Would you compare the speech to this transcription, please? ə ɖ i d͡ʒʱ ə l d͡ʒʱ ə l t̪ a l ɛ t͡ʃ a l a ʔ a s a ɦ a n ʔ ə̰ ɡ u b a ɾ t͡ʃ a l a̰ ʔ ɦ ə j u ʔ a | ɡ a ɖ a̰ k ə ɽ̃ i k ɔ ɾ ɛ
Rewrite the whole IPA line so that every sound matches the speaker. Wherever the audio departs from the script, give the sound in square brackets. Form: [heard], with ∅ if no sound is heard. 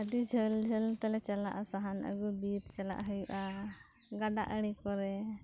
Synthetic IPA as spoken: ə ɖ i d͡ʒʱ ə l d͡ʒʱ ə l t̪ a l ɛ t͡ʃ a l a ʔ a s a ɦ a n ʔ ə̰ ɡ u b [i] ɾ t͡ʃ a l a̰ ʔ ɦ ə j u ʔ a | ɡ a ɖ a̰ [ʔ] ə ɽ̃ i k ɔ ɾ ɛ